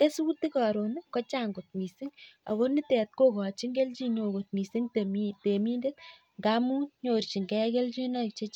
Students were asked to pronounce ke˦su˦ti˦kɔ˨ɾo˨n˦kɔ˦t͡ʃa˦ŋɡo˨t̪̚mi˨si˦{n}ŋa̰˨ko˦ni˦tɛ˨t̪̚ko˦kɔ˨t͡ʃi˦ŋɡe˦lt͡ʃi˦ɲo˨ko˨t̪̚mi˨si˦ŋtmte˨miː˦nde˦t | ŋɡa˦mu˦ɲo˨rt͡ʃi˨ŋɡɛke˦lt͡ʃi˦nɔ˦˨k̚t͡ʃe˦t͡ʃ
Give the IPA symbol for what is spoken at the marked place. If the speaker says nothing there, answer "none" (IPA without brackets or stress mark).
none